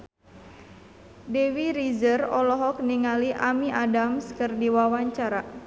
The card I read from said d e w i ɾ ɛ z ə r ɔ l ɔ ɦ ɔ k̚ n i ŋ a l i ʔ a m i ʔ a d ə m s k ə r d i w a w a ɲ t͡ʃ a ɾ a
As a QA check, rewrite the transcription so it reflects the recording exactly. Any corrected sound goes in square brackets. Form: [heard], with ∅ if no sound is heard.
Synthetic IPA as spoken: d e w i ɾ [i] z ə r ɔ l ɔ ɦ ɔ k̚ n i ŋ a l i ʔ a m i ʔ a d [a] m s k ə r d i w a w a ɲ t͡ʃ a ɾ a